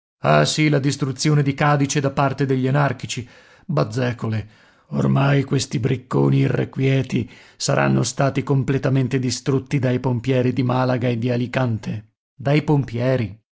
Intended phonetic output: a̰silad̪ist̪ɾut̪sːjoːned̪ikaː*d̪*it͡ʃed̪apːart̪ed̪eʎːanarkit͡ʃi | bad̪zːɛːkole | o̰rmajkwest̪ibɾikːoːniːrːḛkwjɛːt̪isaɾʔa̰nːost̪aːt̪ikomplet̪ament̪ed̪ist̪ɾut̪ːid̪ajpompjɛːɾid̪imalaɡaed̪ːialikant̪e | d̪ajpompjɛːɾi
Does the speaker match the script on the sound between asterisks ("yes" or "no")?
yes